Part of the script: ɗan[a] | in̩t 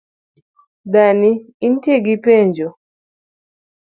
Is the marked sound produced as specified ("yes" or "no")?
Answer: no